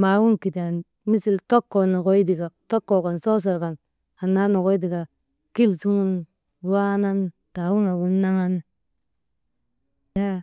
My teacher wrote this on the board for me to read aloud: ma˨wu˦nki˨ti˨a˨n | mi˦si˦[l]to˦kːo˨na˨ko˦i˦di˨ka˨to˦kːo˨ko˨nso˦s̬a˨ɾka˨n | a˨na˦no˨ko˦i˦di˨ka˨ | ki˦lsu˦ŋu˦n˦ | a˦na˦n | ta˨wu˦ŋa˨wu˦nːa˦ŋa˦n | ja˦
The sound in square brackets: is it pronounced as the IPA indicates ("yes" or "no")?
yes